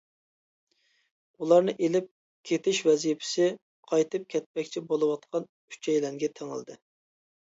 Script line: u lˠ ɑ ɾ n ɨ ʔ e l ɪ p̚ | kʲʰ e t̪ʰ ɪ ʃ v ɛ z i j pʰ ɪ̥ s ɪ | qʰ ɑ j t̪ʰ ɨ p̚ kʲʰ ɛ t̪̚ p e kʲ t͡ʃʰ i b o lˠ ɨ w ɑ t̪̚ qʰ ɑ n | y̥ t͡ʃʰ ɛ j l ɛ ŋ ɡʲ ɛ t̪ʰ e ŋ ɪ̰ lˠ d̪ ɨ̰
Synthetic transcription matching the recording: u lˠ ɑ ɾ n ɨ ʔ e l ɪ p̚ | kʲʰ e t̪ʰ ɪ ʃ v ɛ z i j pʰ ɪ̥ s ɪ | qʰ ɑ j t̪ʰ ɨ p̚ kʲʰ ɛ t̪̚ p ɛ kʲ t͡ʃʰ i b o lˠ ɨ w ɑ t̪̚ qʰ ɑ n | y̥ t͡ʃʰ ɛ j l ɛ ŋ ɡʲ ɛ t̪ʰ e ŋ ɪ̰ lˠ d̪ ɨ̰